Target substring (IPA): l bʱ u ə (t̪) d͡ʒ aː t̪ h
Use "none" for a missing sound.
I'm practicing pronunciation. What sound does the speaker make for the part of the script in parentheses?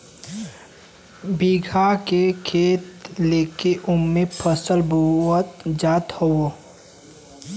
t̪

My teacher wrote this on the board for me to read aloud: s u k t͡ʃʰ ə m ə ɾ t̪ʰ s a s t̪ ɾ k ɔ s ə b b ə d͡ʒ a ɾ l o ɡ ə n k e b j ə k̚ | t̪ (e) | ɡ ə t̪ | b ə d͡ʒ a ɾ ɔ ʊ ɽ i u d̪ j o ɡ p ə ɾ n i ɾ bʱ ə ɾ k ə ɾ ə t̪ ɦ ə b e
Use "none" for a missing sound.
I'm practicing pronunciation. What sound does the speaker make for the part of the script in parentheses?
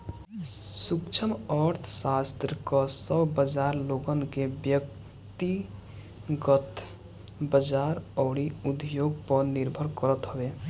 i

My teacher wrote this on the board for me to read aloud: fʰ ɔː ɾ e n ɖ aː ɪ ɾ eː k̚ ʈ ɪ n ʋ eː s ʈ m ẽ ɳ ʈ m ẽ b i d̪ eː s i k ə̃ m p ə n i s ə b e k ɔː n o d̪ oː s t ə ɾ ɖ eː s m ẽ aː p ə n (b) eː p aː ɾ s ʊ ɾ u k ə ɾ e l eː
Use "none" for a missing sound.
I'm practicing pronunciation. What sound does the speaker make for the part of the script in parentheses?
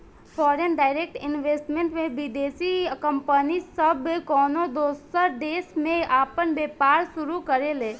b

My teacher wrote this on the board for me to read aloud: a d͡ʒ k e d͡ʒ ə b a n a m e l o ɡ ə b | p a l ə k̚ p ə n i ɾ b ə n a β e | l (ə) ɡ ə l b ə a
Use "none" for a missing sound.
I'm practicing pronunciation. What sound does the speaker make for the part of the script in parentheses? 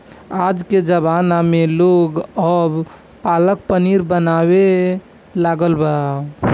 a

